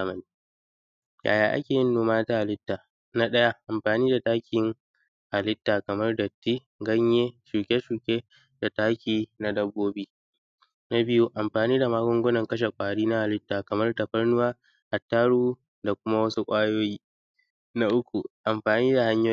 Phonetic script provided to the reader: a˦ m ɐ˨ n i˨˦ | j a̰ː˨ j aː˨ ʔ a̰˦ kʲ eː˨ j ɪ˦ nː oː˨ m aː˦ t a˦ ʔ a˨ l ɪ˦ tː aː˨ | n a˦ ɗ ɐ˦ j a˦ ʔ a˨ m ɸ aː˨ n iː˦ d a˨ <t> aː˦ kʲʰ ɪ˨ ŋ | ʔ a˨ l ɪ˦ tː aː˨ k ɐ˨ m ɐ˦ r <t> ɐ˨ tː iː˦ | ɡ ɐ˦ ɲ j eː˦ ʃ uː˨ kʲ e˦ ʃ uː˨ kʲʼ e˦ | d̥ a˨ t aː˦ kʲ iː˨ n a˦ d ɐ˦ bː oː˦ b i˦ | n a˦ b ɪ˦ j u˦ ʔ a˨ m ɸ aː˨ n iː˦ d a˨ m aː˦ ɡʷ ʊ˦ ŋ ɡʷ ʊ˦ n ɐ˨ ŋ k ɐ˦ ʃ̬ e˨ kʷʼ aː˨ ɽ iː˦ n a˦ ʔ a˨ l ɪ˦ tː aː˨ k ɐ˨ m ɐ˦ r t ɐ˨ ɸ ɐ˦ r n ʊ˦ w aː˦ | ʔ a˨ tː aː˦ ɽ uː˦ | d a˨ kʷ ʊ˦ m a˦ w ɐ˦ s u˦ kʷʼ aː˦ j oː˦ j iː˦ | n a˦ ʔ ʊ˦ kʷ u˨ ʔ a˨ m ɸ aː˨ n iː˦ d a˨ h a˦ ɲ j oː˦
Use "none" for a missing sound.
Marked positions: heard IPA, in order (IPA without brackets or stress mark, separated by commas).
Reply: t, d